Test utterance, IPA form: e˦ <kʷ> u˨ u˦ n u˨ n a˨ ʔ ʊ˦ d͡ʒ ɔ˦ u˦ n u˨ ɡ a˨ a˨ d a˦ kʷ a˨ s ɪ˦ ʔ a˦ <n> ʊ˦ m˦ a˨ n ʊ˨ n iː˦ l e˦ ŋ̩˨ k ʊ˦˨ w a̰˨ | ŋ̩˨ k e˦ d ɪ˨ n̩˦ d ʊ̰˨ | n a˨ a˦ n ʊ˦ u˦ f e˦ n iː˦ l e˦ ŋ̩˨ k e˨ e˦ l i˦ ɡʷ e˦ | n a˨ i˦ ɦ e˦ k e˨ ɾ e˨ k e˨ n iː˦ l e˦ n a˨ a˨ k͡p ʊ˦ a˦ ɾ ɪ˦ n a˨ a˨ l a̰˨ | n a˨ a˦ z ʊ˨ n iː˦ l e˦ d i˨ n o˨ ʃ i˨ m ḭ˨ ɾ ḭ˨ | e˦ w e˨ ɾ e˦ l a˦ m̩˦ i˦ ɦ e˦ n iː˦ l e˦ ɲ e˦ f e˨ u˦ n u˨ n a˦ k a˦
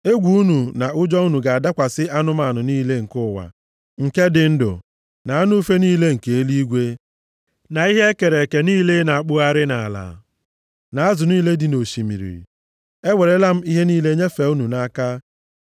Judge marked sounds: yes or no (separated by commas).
no, yes